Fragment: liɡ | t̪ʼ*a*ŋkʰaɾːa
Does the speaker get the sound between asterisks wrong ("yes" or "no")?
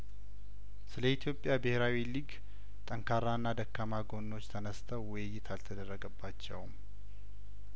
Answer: yes